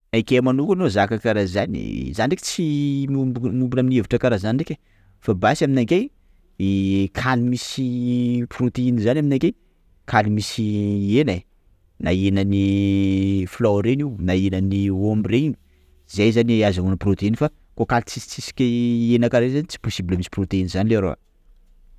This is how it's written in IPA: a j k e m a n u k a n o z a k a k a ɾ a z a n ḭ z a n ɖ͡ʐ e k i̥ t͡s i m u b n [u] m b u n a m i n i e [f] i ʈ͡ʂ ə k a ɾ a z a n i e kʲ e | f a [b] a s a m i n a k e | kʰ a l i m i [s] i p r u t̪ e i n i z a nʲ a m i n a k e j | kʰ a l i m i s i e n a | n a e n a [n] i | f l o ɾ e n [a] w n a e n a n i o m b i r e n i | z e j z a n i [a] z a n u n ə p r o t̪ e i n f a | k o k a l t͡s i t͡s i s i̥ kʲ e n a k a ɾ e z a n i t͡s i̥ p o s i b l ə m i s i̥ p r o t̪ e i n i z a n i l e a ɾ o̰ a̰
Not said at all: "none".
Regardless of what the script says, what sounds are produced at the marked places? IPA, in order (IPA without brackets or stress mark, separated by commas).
u, v, b, s, n, i, a